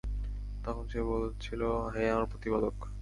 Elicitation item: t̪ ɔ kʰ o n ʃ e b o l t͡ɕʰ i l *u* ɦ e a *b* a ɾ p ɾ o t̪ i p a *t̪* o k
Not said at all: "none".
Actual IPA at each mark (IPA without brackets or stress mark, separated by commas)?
o, m, d̪